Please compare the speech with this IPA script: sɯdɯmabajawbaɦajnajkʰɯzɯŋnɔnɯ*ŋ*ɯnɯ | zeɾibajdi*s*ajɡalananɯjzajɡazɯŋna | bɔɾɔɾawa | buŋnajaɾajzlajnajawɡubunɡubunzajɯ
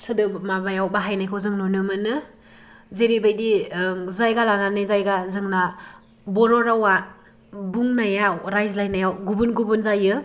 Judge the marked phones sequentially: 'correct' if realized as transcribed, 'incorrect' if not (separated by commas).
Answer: incorrect, incorrect